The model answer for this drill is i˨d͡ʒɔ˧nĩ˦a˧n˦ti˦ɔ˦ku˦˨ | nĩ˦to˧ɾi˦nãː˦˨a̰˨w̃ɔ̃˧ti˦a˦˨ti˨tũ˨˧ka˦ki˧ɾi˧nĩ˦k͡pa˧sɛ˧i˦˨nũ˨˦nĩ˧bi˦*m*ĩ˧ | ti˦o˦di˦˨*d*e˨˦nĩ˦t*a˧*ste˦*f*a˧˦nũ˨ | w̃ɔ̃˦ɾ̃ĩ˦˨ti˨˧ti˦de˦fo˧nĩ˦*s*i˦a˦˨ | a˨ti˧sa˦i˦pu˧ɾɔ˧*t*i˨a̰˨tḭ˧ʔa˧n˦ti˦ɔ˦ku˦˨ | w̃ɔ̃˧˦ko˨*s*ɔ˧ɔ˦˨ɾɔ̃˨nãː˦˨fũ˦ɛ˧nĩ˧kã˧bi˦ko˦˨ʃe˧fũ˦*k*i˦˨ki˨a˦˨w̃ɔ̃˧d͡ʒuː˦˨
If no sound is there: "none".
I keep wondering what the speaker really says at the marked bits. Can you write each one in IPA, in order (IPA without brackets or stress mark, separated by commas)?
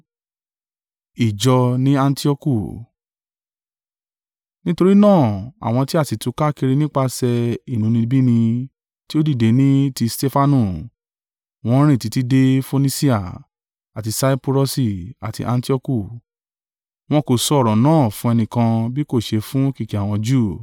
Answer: n, d, i˧, f, s, s, s, k